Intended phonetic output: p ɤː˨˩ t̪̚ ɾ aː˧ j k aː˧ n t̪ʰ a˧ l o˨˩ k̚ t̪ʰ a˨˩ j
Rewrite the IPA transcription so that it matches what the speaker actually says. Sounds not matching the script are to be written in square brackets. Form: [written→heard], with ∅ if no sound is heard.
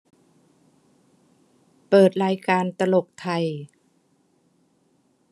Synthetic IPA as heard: p ɤː˨˩ t̪̚ ɾ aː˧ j k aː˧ n [t̪ʰ→t̪] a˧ l o˨˩ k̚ t̪ʰ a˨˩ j